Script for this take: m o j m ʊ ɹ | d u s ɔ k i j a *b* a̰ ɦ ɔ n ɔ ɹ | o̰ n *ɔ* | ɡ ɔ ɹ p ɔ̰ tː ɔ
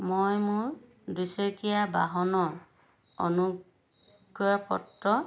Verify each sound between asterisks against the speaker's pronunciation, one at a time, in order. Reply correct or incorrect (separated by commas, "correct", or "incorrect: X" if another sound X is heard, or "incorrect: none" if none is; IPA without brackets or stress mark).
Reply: correct, incorrect: u